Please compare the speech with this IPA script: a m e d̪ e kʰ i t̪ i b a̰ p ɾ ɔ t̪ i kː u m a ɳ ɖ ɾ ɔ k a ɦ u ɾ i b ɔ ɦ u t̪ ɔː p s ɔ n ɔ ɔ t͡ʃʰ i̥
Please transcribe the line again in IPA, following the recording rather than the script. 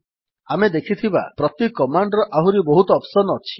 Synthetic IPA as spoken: a m e d̪ e kʰ i t̪ʰ i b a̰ p ɾ ɔ t̪ i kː ɔ m a ɳ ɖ ɾ ɔ ʔ a ɦ u ɾ i b ɔ ɦ u t̪ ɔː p s ɔ n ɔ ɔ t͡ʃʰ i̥